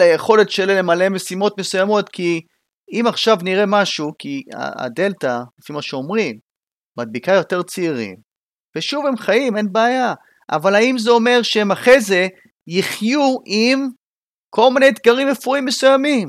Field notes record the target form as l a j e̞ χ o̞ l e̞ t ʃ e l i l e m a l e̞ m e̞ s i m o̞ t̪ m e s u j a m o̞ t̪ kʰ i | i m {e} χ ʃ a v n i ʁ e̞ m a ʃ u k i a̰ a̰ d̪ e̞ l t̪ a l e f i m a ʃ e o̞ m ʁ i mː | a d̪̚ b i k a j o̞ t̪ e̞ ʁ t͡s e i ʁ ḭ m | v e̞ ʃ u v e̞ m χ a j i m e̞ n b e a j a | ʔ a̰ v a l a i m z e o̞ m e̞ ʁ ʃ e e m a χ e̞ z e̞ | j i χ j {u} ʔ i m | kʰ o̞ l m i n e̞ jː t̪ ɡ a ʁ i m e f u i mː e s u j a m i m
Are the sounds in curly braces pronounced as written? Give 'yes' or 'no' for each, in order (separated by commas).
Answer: no, yes